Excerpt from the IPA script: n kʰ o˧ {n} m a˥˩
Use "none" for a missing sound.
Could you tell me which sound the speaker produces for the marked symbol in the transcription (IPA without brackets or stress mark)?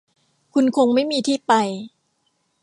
ŋ